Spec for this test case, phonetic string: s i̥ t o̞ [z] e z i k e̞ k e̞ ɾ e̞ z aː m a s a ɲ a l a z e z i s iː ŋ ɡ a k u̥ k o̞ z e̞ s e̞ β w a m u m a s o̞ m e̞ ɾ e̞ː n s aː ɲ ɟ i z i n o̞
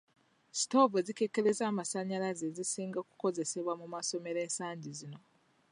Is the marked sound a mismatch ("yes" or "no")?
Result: yes